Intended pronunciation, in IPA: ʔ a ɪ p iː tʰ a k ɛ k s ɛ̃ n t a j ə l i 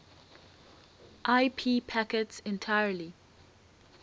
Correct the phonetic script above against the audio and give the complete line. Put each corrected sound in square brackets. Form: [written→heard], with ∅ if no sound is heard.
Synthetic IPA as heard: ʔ a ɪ [p→pʰ] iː [tʰ→pʰ] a k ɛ [k→t] s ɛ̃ n [t→tʰ] a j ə l i